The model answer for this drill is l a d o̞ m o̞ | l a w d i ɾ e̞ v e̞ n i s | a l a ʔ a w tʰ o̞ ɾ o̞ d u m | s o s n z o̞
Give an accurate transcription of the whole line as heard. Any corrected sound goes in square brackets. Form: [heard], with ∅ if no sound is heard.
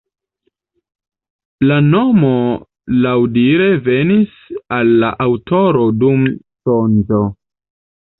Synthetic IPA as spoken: l a [n] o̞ m o̞ | l a w d i ɾ e̞ v e̞ n i s | a [lː] a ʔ a w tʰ o̞ ɾ o̞ d u m | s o [∅] n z o̞